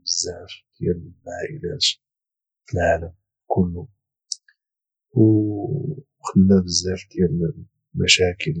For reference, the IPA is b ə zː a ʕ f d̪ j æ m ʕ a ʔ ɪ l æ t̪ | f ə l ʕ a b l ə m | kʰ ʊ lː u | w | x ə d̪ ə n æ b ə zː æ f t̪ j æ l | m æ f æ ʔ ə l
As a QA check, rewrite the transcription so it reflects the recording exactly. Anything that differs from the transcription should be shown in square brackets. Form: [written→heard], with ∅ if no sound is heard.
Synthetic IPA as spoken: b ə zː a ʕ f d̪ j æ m ʕ a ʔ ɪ l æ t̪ | f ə l ʕ a [b→∅] l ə m | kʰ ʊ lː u | w | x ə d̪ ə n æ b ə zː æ f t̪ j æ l | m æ [f→ʃ] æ [ʔ→k] ə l